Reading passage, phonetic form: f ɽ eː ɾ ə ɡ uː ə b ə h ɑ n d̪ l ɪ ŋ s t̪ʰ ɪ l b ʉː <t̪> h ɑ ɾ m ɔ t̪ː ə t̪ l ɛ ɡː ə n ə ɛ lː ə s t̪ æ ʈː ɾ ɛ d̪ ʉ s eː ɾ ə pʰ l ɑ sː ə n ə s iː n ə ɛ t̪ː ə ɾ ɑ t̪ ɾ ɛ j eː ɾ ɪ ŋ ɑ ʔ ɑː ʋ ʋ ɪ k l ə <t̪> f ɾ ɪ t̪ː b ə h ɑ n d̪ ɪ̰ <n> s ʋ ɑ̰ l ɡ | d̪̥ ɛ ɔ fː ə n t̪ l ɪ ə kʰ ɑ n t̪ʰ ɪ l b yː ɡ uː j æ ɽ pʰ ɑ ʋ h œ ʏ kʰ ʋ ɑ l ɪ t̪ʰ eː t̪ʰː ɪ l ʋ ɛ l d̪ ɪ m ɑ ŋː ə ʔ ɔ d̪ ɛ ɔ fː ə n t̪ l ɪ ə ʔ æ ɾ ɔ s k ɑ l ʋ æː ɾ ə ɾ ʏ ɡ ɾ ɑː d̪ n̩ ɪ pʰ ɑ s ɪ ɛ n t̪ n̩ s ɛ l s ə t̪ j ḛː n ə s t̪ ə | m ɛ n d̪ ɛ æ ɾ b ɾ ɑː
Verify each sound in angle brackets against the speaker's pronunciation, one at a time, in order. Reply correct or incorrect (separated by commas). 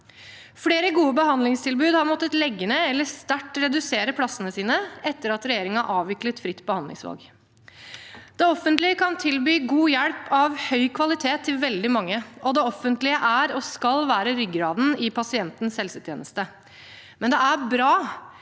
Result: incorrect, correct, incorrect